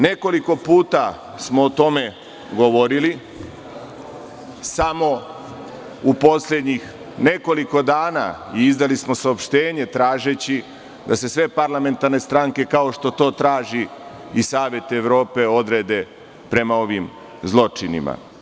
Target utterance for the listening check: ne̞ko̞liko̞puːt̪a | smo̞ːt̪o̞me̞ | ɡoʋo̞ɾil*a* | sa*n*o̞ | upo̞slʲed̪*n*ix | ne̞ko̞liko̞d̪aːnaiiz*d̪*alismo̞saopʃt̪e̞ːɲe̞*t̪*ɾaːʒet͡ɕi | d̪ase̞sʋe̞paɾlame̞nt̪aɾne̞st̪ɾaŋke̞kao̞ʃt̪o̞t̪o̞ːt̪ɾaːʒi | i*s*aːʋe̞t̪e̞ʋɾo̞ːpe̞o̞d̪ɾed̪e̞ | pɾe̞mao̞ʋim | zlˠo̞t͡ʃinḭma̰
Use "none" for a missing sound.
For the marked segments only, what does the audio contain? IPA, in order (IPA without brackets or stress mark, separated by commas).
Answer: i, m, ɲ, d̪, t̪, s